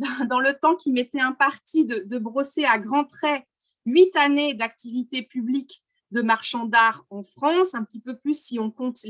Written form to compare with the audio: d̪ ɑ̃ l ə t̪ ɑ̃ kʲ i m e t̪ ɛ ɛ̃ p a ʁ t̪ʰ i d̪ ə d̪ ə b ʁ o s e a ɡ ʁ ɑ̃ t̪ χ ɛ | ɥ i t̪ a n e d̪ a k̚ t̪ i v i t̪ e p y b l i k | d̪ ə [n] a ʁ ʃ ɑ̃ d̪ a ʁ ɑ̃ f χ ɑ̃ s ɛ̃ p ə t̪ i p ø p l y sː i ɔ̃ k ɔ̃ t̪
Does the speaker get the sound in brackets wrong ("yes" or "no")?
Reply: yes